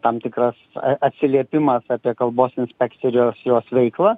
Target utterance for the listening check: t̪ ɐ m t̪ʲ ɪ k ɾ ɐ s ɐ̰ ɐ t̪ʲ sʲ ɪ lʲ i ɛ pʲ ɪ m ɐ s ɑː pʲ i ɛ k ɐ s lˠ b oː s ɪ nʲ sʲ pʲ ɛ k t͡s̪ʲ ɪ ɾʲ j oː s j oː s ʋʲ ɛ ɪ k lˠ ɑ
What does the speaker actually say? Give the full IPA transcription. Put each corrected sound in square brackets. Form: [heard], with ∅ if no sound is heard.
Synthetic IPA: t̪ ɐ m t̪ʲ ɪ k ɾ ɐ s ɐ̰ ɐ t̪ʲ sʲ ɪ lʲ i ɛ pʲ ɪ m ɐ s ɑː pʲ i ɛ k ɐ [∅] lˠ b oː s ɪ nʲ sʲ pʲ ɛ k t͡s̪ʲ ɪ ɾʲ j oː s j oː s ʋʲ ɛ ɪ k lˠ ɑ